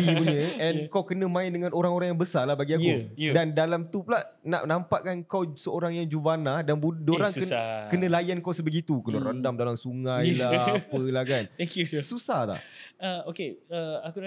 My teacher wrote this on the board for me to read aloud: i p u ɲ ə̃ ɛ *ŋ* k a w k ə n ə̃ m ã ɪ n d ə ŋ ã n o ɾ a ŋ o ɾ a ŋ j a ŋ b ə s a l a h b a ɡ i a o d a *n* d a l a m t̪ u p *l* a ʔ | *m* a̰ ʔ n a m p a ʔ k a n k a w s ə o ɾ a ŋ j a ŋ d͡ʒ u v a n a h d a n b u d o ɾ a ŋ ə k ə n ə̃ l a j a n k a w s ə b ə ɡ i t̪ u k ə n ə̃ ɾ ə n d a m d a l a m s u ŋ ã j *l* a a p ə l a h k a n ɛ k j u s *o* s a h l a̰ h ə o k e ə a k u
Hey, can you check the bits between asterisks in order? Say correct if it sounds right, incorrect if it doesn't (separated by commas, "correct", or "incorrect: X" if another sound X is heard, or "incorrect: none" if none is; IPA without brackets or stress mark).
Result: incorrect: n, correct, correct, incorrect: n, correct, incorrect: u